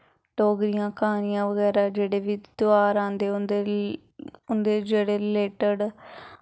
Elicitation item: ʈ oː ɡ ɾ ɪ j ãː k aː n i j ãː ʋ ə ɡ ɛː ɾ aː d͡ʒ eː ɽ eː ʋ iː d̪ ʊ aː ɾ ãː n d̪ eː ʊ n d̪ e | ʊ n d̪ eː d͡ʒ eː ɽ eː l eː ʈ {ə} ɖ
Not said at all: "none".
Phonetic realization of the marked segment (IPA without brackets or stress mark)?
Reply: ə